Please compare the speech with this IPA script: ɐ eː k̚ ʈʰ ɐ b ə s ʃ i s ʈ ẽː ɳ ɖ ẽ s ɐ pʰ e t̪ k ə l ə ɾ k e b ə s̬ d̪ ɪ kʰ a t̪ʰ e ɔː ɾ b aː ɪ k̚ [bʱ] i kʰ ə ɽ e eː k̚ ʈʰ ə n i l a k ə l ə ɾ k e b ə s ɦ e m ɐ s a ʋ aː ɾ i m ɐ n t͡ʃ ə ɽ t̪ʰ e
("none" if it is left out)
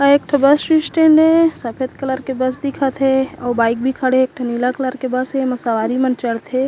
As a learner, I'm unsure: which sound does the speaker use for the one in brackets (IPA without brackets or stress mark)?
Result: bʱ